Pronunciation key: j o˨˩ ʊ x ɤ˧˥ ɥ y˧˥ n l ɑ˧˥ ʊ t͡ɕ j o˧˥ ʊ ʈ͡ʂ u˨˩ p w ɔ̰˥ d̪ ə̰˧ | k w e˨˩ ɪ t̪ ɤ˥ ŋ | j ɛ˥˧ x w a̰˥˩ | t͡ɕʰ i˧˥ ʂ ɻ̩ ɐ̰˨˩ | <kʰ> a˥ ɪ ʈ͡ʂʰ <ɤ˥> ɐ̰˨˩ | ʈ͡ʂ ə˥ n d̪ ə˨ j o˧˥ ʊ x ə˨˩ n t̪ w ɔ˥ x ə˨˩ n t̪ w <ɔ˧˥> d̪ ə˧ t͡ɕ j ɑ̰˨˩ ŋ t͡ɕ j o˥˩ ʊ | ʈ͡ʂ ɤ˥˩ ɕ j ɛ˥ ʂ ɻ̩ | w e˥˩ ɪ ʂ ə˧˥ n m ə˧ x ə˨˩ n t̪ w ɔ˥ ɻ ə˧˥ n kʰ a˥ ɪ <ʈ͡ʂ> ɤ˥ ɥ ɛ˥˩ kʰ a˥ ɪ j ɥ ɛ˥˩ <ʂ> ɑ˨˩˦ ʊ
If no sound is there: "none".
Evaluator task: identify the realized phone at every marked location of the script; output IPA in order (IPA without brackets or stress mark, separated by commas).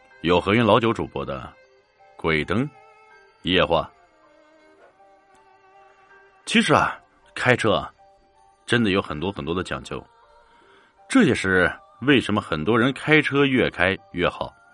kʰ, ɤ˥, ɔ˥, ʈ͡ʂʰ, x